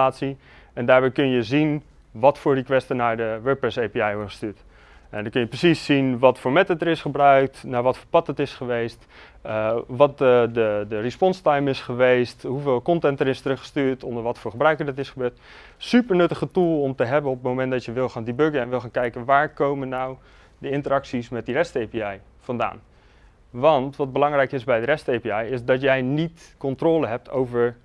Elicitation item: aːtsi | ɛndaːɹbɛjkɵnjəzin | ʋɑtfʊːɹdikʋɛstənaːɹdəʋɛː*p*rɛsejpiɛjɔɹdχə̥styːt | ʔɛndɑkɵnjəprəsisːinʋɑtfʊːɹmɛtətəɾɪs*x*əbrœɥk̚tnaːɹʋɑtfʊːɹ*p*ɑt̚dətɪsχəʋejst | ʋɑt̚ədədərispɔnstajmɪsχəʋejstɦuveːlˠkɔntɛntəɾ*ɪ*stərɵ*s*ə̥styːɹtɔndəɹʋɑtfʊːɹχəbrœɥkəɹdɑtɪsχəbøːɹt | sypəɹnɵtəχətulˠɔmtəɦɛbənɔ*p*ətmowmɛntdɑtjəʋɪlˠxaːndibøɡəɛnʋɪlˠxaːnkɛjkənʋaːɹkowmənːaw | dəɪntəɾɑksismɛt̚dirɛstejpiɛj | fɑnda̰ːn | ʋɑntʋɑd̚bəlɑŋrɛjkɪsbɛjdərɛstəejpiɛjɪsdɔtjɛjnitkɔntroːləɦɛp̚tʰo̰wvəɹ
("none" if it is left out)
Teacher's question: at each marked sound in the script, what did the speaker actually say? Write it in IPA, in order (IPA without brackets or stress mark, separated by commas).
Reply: p, χ, p, ɪ, χ, p